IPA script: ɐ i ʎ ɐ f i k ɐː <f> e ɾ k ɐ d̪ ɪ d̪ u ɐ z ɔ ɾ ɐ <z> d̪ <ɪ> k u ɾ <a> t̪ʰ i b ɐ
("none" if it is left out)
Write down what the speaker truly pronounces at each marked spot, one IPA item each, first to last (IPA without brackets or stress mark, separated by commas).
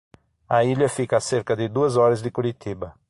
s, z, ɪ, i